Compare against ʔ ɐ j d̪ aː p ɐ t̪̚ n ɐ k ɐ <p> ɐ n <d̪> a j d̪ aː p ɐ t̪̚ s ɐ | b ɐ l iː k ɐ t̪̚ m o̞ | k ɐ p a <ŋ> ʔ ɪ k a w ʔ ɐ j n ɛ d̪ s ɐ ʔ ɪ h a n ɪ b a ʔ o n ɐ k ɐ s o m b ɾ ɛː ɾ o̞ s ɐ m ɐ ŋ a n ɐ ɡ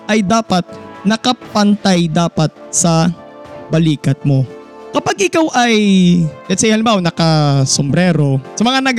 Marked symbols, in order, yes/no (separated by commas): yes, no, no